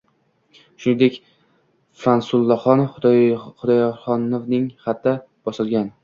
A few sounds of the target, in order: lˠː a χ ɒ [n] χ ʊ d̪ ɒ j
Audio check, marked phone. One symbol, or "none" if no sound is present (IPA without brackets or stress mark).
n